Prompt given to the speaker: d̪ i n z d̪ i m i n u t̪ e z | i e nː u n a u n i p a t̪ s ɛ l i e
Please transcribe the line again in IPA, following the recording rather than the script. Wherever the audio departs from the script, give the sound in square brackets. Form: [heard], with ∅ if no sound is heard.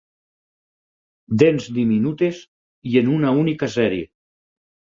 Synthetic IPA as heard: d̪ [e] n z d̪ i m i n u t̪ e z | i e [n] u n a u n i [k] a [∅] s ɛ [ɾ] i e